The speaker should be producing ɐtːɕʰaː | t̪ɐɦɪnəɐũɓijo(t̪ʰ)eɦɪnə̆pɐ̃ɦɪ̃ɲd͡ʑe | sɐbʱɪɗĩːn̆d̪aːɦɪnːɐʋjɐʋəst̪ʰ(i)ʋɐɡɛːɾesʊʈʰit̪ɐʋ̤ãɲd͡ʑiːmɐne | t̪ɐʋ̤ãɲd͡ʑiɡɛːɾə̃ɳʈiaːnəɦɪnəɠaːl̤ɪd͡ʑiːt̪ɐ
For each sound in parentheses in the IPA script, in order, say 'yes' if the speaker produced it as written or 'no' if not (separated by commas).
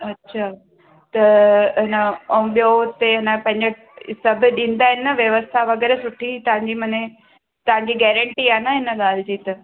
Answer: no, no